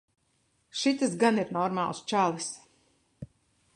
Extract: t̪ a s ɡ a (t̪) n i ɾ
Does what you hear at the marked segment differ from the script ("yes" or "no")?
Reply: yes